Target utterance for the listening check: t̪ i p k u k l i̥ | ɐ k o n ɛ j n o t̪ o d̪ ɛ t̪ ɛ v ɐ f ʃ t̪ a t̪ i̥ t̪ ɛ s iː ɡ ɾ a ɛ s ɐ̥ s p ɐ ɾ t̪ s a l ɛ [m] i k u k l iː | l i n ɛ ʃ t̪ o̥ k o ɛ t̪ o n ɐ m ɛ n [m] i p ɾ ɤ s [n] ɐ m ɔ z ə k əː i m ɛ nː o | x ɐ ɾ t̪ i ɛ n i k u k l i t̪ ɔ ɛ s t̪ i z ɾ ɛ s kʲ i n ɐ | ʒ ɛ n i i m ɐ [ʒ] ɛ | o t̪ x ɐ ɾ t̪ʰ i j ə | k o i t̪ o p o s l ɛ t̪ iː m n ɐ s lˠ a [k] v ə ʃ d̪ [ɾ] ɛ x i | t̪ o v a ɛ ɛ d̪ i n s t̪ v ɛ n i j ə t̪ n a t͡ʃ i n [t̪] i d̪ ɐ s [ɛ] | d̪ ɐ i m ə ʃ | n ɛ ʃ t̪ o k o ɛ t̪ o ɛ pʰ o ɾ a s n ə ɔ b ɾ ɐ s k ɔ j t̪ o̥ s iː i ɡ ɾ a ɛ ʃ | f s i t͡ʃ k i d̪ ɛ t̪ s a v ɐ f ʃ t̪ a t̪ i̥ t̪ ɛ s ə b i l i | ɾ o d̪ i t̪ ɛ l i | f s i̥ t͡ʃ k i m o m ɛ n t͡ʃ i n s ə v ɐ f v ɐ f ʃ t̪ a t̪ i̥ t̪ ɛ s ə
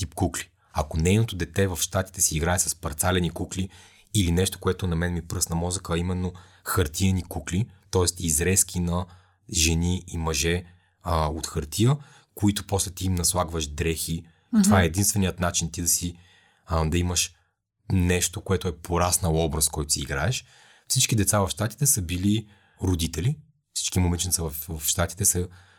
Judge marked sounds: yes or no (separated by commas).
no, yes, yes, yes, no, yes, yes, no